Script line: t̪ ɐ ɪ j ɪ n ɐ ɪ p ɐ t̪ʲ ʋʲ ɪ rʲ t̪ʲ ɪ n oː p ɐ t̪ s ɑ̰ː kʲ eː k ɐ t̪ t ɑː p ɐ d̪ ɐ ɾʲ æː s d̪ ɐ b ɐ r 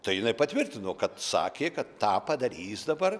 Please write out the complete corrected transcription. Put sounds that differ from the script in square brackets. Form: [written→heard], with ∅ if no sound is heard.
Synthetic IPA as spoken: t̪ ɐ ɪ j ɪ n ɐ ɪ p ɐ t̪ʲ ʋʲ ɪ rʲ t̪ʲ ɪ n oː [p→k] ɐ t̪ s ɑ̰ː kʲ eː k ɐ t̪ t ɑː p ɐ d̪ ɐ ɾʲ [æː→iː] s d̪ ɐ b ɐ r